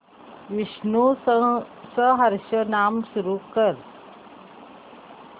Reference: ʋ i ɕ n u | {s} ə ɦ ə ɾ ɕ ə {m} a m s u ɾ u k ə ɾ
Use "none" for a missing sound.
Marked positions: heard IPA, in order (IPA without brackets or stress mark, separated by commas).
s, n